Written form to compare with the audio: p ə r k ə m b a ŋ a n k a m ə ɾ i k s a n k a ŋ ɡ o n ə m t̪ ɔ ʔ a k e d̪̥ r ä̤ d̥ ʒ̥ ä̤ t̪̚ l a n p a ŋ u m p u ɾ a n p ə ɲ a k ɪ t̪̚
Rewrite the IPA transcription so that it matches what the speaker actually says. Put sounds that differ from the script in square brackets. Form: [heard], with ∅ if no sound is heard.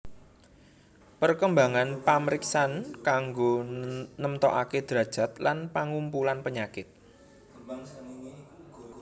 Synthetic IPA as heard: p ə r k ə m b a ŋ a n [p] a m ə ɾ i k s a n k a ŋ ɡ o n ə m t̪ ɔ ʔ a k e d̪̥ [ɾ] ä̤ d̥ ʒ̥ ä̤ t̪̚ l a n p a ŋ u m p u [l] a n p ə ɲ a k ɪ t̪̚